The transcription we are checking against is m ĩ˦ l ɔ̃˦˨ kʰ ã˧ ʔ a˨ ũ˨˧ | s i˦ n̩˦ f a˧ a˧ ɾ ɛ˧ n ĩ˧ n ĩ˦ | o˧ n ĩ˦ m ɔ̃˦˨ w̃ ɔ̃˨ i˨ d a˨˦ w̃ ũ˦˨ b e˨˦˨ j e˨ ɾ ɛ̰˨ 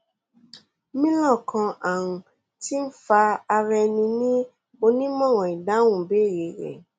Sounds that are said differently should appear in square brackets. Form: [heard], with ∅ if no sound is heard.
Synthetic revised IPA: m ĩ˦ l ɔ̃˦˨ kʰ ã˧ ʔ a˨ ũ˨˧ | [t] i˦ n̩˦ f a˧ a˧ ɾ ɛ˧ n ĩ˧ n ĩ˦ | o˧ n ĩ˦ m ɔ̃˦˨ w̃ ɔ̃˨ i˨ d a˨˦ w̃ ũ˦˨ b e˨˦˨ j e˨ ɾ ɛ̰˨